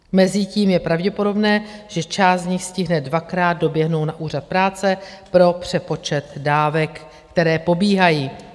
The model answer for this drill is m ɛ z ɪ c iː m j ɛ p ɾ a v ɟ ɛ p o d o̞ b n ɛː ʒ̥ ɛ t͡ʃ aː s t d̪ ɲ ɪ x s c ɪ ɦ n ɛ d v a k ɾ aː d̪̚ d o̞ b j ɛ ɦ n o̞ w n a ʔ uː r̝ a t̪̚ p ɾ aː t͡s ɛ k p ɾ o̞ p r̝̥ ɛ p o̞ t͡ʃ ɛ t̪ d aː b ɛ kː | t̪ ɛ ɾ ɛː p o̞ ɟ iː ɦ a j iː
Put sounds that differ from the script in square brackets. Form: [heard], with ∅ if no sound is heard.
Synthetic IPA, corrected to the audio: m ɛ z ɪ c iː m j ɛ p ɾ a v ɟ ɛ p o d o̞ b n ɛː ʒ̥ ɛ t͡ʃ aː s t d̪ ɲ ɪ x s c ɪ ɦ n ɛ d v a k ɾ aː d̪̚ d o̞ b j ɛ ɦ n o̞ w n a ʔ uː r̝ a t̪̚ p ɾ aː t͡s ɛ [∅] p ɾ o̞ p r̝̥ ɛ p o̞ t͡ʃ ɛ t̪ d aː [v] ɛ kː | t̪ ɛ ɾ ɛː p o̞ [b] iː ɦ a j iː

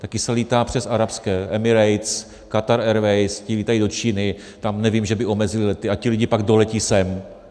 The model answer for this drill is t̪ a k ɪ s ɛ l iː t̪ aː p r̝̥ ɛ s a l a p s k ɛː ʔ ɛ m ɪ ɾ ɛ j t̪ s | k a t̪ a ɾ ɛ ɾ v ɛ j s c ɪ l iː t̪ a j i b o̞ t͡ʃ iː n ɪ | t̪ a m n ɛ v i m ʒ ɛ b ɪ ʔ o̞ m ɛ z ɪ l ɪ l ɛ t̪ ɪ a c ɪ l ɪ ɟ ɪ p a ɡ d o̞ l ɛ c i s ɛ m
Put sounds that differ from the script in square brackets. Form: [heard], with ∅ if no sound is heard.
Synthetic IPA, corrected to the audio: t̪ a k ɪ s ɛ l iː t̪ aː p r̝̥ ɛ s a [ɾ] a p s k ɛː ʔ ɛ m ɪ ɾ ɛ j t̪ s | k a t̪ a ɾ ɛ ɾ v ɛ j s c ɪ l iː t̪ a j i [d] o̞ t͡ʃ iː n ɪ | t̪ a m n ɛ v i m ʒ ɛ b ɪ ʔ o̞ m ɛ z ɪ l ɪ l ɛ t̪ ɪ a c ɪ l ɪ ɟ ɪ p a ɡ d o̞ l ɛ c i s ɛ m

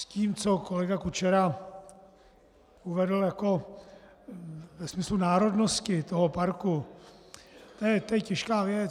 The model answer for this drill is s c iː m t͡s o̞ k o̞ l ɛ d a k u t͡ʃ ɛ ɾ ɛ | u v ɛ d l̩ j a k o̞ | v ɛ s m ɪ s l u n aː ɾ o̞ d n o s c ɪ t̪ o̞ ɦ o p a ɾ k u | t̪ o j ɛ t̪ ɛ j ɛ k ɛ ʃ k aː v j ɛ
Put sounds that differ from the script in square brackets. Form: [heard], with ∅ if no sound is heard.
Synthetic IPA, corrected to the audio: s c iː m t͡s o̞ k o̞ l ɛ [ɡ] a k u t͡ʃ ɛ ɾ [a] | u v ɛ d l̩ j a k o̞ | v ɛ s m ɪ s l u n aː ɾ o̞ d n o s c ɪ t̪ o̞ ɦ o p a ɾ k u | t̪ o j ɛ t̪ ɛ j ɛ [c] ɛ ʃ k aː v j ɛ

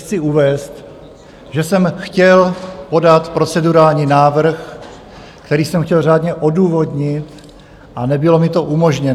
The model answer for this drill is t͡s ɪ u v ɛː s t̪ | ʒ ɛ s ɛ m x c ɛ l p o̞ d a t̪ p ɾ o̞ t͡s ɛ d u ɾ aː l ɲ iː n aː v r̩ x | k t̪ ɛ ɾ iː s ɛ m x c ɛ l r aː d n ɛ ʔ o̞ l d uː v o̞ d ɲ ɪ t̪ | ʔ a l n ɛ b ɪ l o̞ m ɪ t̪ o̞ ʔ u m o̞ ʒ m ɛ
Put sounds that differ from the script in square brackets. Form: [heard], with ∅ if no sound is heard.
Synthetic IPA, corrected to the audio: t͡s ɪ u v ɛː s t̪ | ʒ ɛ s ɛ m x c ɛ l p o̞ d a t̪ p ɾ o̞ t͡s ɛ d u ɾ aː l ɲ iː n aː v r̩ x | k t̪ ɛ ɾ iː s ɛ m x c ɛ l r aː d [ɲ] ɛ ʔ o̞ [∅] d uː v o̞ d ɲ ɪ t̪ | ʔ a [∅] n ɛ b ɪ l o̞ m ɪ t̪ o̞ ʔ u m o̞ ʒ [ɲ] ɛ

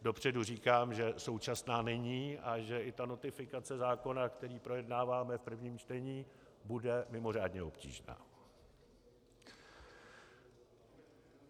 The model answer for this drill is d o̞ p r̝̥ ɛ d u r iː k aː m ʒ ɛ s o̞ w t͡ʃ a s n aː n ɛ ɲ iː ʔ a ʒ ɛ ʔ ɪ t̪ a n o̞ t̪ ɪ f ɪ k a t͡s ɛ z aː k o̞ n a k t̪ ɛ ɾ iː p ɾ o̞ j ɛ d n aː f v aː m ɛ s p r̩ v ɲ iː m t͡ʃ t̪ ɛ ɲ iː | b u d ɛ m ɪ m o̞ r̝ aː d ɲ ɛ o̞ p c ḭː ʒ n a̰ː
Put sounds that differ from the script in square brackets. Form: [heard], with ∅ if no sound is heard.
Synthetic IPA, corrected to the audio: d o̞ p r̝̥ ɛ d u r iː k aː m ʒ ɛ s o̞ w t͡ʃ a s n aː n ɛ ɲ iː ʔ a ʒ ɛ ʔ ɪ t̪ a n o̞ t̪ ɪ f ɪ k a t͡s ɛ z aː k o̞ n a k t̪ ɛ ɾ iː p ɾ o̞ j ɛ d n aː [∅] v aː m ɛ [f] p r̩ v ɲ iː m t͡ʃ t̪ ɛ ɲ iː | b u d ɛ m ɪ m o̞ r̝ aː d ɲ ɛ o̞ p c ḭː ʒ n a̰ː

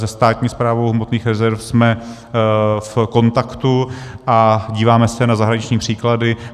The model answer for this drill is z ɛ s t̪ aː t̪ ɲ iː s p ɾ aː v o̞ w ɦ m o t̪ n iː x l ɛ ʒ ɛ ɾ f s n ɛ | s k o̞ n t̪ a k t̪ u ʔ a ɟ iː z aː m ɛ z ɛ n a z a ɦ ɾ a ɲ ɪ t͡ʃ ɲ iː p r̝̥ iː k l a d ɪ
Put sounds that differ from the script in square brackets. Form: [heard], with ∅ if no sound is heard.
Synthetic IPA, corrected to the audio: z ɛ s t̪ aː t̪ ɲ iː s p ɾ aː v o̞ w ɦ m o t̪ n iː x [ɾ] ɛ [z] ɛ ɾ f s [m] ɛ | [f] k o̞ n t̪ a k t̪ u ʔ a ɟ iː [v] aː m ɛ [s] ɛ n a z a ɦ ɾ a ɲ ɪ t͡ʃ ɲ iː p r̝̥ iː k l a d ɪ

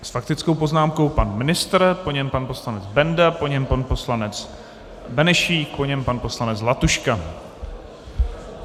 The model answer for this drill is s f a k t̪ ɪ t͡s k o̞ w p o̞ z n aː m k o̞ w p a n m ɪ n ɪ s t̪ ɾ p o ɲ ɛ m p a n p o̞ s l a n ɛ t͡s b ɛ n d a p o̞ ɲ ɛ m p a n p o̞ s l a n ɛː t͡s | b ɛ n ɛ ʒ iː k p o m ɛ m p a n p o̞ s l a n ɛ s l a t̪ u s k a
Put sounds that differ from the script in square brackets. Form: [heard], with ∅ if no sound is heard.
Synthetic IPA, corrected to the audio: s f a k t̪ ɪ t͡s k o̞ w p o̞ z n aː m k o̞ w p a n m ɪ n ɪ s t̪ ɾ p o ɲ ɛ m p a n p o̞ s l a n ɛ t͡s b ɛ n d a p o̞ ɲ ɛ m p a n p o̞ s l a n [ɛ] t͡s | b ɛ n ɛ [ʃ] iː k p o [ɲ] ɛ m p a n p o̞ s l a n ɛ [t͡s] l a t̪ u [ʃ] k a

